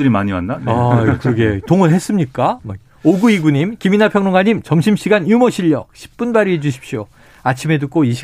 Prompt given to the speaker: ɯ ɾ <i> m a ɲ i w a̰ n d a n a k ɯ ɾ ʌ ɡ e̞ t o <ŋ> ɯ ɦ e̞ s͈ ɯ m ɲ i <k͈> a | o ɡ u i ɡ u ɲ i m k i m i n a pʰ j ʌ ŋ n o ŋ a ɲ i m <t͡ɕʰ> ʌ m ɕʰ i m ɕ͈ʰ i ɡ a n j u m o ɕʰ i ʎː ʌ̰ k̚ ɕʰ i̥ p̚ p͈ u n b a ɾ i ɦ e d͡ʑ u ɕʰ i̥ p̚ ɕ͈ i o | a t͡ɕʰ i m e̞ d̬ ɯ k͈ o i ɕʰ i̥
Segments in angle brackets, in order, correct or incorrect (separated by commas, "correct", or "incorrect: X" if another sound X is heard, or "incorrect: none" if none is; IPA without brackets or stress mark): correct, correct, correct, incorrect: t͡ɕ